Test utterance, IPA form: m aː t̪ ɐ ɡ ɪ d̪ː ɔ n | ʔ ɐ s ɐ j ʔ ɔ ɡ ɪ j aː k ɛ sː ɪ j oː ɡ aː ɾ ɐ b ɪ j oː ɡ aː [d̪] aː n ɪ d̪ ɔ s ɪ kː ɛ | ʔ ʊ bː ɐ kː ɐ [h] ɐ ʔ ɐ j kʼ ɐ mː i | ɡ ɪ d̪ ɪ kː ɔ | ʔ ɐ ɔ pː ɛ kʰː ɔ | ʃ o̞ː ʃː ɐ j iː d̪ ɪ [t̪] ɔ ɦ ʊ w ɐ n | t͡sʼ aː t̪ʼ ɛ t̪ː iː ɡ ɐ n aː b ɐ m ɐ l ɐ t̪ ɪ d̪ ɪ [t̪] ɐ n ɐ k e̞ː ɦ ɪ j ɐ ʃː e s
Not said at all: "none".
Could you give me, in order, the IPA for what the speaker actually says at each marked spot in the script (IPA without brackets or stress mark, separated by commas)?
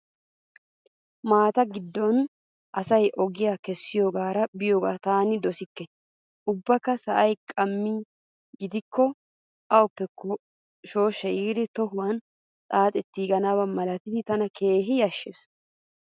t̪, s, t̪, t̪